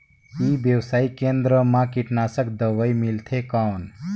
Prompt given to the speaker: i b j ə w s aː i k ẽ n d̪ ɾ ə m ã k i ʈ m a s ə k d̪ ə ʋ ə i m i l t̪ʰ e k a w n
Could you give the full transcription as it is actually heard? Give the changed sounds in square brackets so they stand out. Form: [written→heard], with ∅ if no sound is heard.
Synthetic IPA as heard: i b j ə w s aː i k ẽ n d̪ ɾ ə m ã k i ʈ [m→n] a s ə k d̪ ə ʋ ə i m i l t̪ʰ e k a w n